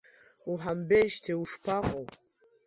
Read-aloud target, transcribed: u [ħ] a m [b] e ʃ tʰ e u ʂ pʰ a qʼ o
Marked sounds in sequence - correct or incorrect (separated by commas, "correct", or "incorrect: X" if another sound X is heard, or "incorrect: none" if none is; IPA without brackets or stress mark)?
correct, correct